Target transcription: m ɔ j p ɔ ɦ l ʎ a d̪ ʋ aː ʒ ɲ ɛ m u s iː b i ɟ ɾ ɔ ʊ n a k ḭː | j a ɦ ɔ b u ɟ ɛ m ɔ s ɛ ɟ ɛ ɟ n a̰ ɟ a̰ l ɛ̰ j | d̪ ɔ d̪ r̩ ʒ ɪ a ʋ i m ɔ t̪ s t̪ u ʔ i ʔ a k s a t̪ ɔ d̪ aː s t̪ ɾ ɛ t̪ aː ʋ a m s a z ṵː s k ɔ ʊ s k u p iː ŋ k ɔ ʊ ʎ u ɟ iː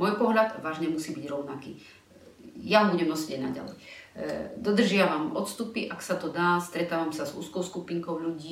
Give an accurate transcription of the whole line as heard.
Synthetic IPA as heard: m ɔ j p ɔ ɦ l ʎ a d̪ ʋ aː ʒ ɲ ɛ m u s iː b i ɟ ɾ ɔ ʊ n a k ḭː | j a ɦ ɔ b u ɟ ɛ m ɔ s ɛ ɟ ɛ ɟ n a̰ ɟ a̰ l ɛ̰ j | d̪ ɔ d̪ r̩ ʒ ɪ a ʋ a m ɔ t̪ s t̪ u p i ʔ a k s a t̪ ɔ d̪ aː s t̪ ɾ ɛ t̪ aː ʋ a m s a z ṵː s k ɔ ʊ s k u p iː ŋ k ɔ ʊ ʎ u ɟ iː